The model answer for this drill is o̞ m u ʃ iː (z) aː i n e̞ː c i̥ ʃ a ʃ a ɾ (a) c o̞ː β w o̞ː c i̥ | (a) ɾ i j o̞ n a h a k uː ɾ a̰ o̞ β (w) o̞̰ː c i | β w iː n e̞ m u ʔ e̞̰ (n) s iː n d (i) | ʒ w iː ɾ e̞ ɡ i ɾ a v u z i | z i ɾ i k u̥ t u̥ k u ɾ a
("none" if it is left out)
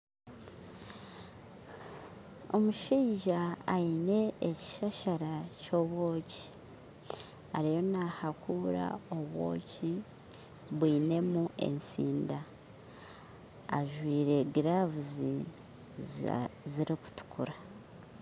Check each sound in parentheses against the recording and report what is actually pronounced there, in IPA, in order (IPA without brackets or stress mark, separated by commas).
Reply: ʒ, a, a, w, n, a